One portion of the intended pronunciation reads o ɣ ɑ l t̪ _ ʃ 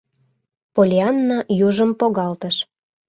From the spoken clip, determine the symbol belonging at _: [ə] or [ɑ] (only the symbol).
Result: ə